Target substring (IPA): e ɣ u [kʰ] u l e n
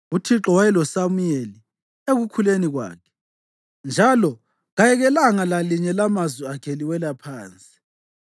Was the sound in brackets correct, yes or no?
yes